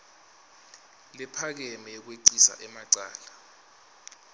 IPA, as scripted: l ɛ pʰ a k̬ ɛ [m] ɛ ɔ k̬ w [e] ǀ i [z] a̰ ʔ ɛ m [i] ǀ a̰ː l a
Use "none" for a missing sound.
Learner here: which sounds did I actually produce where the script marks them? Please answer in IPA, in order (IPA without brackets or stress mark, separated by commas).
m, e, s, a